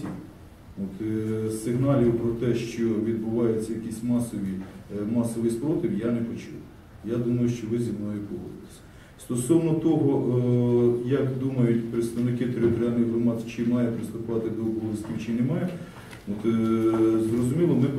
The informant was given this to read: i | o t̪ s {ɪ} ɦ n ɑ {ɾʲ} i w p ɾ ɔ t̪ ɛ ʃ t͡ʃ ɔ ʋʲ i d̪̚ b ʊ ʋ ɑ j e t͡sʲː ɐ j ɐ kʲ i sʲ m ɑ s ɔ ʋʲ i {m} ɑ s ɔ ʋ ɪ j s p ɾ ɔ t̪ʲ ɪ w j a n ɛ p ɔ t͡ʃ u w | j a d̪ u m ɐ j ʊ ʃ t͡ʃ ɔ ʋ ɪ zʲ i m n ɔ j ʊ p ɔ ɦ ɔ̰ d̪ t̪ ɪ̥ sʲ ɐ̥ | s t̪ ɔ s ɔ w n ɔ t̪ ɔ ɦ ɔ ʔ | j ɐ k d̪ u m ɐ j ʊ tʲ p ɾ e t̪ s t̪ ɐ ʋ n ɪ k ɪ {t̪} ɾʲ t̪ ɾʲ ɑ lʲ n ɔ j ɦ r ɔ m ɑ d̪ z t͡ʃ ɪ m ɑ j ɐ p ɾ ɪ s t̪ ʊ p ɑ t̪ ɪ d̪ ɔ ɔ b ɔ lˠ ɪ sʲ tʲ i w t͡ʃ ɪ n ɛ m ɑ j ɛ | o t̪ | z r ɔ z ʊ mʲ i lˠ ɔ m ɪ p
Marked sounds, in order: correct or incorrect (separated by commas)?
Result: correct, incorrect, correct, correct